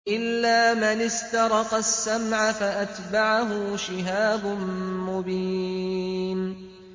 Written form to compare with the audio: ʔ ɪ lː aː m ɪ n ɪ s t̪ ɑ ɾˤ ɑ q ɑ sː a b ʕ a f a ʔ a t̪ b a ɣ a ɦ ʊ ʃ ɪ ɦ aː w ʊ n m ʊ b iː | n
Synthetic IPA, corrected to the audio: ʔ ɪ lː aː m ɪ n ɪ s t̪ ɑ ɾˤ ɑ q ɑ sː a m ʕ a f a ʔ a t̪ b a ʕ a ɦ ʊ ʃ ɪ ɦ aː b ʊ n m ʊ b iː | n